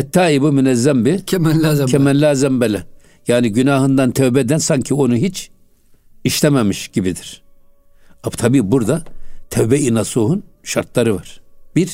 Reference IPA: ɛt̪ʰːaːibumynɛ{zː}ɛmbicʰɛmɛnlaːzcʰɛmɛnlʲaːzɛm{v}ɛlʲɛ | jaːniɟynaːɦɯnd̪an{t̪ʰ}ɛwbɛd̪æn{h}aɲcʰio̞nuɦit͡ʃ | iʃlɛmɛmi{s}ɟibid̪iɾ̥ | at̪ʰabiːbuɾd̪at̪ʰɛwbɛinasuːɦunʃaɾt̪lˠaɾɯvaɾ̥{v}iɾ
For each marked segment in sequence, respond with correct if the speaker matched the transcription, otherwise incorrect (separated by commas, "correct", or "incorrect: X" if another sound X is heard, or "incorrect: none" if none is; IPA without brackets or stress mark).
correct, incorrect: b, correct, incorrect: s, incorrect: ʃ, incorrect: b